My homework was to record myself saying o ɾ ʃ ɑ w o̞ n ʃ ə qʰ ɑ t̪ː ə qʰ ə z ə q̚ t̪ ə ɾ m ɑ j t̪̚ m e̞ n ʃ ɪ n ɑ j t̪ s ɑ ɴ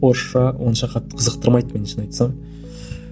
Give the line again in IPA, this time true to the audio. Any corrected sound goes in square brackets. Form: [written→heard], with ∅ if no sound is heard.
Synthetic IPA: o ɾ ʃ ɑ w o̞ n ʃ [ə→ɑ] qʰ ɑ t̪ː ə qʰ ə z ə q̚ t̪ ə ɾ m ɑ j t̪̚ m e̞ n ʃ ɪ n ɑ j t̪ s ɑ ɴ